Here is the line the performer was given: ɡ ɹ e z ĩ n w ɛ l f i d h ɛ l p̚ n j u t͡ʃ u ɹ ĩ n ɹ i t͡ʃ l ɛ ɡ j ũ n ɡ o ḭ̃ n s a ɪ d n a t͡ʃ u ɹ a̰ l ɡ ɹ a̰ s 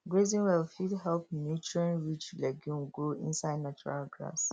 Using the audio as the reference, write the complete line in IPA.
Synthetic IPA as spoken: ɡ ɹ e z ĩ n w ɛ l f i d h ɛ l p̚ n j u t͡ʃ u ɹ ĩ n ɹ i t͡ʃ l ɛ ɡ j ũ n ɡ o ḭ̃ n s a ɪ d n a t͡ʃ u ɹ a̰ l ɡ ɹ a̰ s